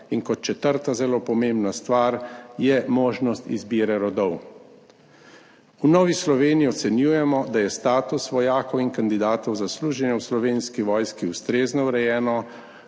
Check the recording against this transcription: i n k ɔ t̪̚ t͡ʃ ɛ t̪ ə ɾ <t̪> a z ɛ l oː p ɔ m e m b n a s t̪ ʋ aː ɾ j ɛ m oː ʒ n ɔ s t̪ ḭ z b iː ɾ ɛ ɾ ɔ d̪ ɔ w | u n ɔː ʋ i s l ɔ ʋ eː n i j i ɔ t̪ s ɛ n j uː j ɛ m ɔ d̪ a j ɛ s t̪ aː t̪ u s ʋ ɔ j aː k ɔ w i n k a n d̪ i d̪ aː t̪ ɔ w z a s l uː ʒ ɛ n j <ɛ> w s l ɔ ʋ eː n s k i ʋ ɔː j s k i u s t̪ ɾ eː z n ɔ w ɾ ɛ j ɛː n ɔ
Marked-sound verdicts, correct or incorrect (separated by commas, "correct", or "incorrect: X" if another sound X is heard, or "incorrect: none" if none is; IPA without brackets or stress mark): correct, correct